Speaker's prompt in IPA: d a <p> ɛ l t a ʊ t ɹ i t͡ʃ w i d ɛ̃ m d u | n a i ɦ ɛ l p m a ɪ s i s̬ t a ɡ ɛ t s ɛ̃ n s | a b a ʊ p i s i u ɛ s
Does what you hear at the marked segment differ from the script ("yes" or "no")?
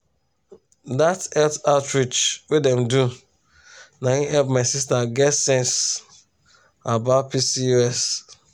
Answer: yes